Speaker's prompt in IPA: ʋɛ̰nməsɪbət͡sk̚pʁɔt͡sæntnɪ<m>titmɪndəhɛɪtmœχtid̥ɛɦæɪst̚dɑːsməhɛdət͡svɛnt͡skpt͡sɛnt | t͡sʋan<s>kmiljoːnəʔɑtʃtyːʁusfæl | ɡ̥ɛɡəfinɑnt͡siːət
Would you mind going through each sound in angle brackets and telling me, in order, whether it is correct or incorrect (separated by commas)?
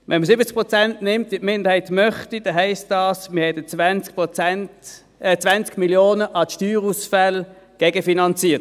correct, incorrect